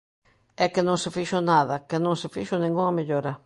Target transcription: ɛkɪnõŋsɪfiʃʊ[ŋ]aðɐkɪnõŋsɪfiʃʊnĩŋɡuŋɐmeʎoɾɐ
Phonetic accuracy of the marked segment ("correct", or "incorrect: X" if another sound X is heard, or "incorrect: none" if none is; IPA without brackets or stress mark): incorrect: n